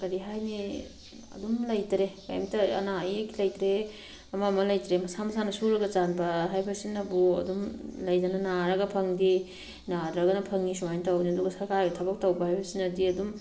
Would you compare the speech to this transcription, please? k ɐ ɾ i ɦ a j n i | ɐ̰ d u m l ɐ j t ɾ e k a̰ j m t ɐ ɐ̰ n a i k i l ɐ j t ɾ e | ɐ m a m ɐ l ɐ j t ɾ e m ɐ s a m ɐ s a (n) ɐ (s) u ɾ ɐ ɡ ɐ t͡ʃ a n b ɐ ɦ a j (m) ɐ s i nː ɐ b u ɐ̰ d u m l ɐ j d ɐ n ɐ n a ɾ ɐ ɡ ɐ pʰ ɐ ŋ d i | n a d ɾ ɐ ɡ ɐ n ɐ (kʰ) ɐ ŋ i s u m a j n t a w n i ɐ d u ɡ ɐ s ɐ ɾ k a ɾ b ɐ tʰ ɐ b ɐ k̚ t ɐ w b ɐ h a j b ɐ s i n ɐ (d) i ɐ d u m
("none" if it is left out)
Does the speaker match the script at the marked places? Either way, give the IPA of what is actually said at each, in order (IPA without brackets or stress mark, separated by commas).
n, s, b, pʰ, d